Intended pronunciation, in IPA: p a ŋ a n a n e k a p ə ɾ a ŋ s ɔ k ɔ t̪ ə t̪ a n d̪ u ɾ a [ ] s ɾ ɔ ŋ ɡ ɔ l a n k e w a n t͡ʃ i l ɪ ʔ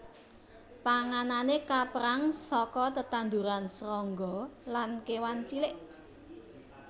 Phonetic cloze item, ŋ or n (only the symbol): n